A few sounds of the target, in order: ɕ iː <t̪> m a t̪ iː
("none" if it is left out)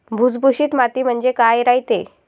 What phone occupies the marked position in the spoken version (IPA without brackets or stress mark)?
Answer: t̪